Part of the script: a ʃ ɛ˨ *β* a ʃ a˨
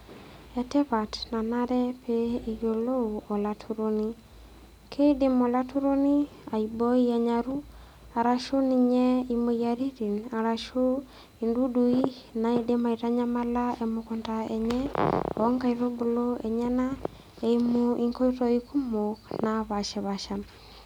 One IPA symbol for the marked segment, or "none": β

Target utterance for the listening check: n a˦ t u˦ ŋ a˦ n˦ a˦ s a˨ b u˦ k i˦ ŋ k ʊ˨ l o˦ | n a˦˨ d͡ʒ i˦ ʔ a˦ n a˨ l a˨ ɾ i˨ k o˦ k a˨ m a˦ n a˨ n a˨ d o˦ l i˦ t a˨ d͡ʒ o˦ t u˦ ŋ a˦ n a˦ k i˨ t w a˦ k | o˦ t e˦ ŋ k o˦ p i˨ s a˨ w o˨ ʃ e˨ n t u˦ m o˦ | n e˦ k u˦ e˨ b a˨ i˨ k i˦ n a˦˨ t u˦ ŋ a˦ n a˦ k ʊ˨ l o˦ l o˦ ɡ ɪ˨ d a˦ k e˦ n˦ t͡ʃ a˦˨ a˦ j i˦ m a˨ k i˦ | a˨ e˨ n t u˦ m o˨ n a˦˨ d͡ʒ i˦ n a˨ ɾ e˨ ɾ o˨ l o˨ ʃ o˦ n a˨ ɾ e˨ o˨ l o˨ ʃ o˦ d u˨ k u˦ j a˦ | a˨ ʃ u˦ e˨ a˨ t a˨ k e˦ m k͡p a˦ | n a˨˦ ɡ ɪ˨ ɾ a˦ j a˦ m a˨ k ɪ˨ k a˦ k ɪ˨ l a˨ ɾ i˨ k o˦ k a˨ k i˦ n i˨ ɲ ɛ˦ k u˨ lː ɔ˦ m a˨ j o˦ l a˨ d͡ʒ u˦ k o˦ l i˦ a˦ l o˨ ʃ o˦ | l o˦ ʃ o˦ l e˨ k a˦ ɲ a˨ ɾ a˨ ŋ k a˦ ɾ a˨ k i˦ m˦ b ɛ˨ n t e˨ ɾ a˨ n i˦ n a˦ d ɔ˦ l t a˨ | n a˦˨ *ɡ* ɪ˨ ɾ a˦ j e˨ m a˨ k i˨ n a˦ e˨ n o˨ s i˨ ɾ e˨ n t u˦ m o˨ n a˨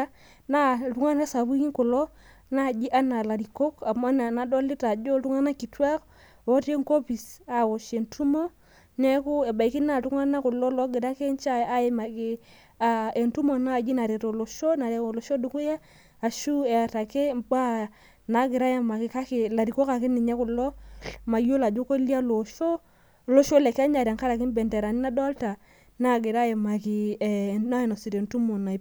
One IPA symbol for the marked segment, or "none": ɡ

